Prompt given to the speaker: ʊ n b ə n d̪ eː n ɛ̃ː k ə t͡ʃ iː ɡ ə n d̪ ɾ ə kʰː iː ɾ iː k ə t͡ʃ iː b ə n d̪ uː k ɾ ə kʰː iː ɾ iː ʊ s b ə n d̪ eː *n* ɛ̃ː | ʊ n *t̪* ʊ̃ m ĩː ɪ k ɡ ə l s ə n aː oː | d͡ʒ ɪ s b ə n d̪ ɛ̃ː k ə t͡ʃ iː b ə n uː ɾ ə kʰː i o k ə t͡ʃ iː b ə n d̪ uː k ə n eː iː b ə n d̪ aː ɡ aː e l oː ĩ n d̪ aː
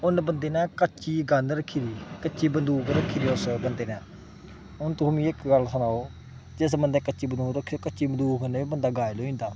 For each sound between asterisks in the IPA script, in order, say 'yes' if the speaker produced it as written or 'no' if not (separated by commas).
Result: yes, yes